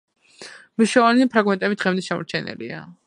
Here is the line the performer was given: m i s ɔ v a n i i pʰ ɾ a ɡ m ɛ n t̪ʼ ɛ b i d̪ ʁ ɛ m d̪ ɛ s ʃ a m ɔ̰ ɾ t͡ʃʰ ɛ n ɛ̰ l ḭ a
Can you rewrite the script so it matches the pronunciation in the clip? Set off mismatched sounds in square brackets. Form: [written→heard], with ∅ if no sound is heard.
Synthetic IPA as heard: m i [s→ʃ] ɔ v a n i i pʰ ɾ a ɡ m ɛ n t̪ʼ ɛ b i d̪ ʁ ɛ m d̪ ɛ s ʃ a m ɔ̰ ɾ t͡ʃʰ ɛ n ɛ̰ l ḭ a